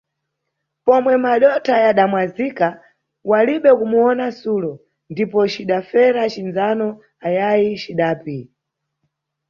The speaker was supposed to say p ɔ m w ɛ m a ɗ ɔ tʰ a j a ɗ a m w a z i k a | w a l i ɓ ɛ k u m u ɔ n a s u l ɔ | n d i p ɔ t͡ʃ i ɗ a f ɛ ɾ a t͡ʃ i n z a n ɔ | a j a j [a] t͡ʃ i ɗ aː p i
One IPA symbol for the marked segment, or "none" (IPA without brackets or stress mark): i